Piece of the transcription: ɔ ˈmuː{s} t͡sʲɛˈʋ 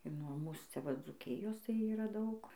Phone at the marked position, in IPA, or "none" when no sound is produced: s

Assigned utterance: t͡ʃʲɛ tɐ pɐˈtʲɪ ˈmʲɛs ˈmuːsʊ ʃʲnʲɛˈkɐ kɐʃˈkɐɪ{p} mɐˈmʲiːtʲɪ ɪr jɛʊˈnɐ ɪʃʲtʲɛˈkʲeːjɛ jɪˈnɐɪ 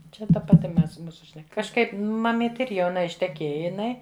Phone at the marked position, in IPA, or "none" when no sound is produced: p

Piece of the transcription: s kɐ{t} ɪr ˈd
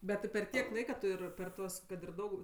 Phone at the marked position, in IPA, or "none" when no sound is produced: t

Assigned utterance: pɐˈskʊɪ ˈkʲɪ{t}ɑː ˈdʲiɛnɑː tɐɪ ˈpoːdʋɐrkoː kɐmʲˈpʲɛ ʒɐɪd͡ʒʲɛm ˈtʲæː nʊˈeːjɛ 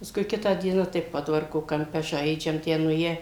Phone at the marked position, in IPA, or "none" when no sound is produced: t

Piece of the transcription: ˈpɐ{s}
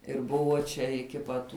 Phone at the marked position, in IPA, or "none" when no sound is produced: t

